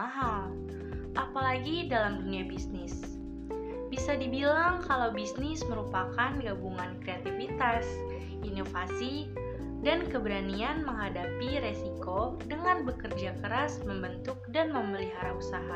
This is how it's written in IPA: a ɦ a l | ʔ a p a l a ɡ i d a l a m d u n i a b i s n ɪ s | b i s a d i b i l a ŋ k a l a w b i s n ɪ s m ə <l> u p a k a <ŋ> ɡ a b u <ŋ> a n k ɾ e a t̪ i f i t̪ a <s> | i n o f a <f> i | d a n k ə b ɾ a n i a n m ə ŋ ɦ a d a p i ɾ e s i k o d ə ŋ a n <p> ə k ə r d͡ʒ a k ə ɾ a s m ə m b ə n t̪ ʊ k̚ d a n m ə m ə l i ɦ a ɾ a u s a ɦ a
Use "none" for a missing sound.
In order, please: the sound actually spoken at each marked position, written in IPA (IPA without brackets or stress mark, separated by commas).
ɾ, n, ŋ, s, s, b